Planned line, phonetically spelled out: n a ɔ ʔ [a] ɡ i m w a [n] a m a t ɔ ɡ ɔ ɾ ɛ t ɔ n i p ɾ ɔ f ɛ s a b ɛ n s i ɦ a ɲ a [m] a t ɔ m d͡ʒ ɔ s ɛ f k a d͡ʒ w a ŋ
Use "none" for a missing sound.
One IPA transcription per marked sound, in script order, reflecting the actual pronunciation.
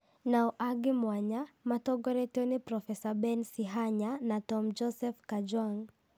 a, ɲ, n

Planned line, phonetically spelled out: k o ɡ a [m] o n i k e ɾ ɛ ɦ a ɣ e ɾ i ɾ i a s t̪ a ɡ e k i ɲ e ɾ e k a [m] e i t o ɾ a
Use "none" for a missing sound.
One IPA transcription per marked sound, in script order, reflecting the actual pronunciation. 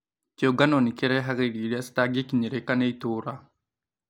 n, n

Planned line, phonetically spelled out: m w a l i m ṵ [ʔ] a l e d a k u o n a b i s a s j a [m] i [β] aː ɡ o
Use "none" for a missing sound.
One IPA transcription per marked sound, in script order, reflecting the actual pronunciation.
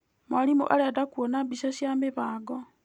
ʔ, m, β

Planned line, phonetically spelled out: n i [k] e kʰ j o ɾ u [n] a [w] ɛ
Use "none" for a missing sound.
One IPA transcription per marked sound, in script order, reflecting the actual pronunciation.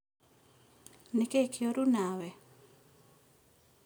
k, n, w

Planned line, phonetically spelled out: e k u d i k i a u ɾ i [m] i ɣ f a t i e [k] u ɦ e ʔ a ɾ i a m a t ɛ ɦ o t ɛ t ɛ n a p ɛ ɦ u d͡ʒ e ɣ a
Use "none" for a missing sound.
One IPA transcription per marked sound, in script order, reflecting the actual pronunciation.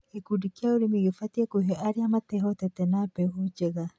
m, k

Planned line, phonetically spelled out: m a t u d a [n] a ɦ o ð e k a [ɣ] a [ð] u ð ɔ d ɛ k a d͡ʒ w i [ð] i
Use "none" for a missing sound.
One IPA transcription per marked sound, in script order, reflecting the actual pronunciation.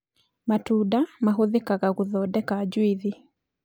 m, ɣ, ɣ, ð

